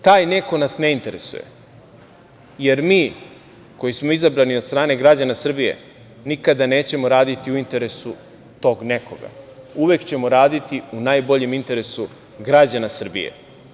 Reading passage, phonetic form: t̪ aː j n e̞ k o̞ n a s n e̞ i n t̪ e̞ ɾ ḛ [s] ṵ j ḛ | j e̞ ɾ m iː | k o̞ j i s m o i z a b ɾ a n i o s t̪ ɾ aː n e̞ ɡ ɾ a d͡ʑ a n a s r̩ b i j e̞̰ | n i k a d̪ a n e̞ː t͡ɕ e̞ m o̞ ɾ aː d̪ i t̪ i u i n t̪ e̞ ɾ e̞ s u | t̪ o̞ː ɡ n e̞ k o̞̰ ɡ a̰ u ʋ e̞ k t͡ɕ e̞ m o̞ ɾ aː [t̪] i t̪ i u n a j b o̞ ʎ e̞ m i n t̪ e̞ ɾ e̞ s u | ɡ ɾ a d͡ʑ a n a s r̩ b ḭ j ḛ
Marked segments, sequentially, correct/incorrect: correct, incorrect: d̪

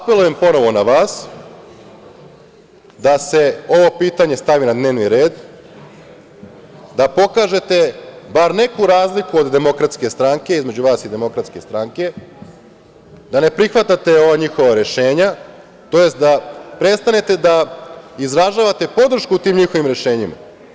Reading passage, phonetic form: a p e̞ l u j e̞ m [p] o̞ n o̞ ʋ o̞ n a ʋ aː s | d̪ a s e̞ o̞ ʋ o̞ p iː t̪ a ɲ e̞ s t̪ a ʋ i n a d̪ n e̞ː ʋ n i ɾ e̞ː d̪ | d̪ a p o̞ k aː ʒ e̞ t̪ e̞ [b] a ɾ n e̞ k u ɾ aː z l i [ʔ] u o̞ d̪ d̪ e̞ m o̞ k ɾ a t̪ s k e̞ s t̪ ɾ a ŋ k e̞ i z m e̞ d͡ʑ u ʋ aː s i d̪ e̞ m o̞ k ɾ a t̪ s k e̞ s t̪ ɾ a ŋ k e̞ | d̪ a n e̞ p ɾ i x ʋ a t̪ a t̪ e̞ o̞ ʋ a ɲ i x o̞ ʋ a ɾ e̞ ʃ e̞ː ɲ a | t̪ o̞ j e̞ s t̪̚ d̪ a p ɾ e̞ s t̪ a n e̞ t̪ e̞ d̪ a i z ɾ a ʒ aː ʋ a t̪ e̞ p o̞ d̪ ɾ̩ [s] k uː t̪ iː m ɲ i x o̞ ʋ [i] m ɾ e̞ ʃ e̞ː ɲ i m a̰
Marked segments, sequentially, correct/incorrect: correct, correct, incorrect: k, incorrect: ʃ, correct

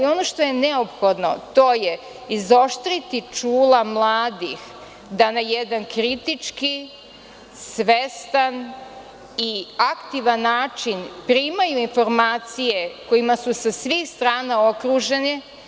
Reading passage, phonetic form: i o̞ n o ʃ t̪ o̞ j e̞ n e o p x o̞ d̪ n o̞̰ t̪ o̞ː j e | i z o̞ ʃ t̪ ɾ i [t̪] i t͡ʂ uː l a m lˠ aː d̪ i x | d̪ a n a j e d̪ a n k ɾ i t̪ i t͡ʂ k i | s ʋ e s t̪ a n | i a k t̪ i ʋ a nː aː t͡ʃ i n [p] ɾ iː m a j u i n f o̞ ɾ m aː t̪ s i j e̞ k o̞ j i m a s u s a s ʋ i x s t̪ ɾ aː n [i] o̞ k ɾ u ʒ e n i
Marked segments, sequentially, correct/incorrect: correct, correct, incorrect: a

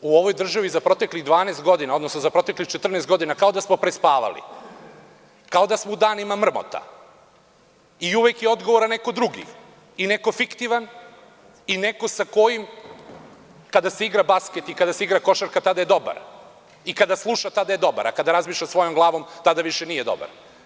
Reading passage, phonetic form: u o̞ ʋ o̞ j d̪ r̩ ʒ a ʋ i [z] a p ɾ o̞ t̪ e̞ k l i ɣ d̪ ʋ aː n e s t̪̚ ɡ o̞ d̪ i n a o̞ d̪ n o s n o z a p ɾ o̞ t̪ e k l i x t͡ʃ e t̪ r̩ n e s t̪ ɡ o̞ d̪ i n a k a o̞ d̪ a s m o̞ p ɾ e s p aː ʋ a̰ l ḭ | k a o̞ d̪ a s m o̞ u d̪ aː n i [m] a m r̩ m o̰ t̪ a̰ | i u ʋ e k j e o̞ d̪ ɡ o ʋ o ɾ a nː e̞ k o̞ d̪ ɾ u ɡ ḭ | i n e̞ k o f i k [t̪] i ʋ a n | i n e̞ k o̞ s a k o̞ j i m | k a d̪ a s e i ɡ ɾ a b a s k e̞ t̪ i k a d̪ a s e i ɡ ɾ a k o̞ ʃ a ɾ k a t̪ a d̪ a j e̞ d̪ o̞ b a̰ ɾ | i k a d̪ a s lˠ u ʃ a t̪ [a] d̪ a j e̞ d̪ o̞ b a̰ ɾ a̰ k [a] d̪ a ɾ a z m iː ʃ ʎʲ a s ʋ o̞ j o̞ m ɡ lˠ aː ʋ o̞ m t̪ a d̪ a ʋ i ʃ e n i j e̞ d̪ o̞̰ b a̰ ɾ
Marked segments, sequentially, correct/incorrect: correct, correct, correct, correct, correct

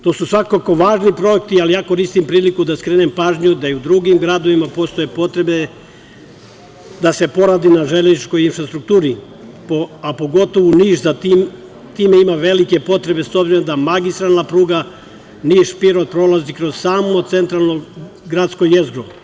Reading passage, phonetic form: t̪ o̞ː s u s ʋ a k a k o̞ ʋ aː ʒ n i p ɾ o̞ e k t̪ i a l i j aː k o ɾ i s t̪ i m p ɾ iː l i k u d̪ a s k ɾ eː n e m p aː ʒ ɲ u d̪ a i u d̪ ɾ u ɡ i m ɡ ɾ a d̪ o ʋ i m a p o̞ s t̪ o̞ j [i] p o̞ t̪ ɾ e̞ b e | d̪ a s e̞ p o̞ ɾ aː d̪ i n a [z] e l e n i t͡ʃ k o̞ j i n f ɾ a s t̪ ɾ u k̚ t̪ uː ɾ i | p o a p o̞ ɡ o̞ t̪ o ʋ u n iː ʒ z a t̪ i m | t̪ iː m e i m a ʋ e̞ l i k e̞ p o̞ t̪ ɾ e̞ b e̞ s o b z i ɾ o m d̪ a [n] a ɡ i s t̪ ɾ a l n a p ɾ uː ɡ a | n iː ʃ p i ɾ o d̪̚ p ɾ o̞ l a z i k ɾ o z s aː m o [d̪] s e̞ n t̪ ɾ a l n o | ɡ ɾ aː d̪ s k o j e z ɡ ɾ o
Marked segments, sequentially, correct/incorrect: incorrect: e, incorrect: ʒ, incorrect: m, incorrect: t̪

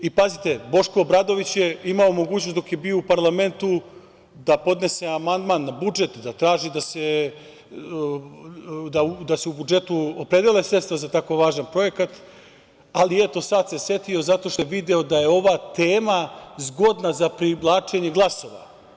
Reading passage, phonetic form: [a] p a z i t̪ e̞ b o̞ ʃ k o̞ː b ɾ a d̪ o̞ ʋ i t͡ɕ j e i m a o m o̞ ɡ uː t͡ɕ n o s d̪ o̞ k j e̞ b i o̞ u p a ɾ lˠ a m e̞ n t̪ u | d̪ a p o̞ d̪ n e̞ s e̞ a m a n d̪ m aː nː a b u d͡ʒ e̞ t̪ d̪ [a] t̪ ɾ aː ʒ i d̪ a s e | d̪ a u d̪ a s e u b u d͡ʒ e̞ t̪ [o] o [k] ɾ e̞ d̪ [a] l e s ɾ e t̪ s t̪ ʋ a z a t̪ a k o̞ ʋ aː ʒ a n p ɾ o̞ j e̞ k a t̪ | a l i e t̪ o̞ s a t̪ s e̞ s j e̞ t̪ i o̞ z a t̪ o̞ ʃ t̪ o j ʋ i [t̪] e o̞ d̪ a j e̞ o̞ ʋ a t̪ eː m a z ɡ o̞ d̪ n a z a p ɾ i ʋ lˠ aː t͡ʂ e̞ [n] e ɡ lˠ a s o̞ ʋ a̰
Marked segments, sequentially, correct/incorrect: incorrect: i, correct, incorrect: u, incorrect: p, incorrect: e, incorrect: d̪, incorrect: ɲ

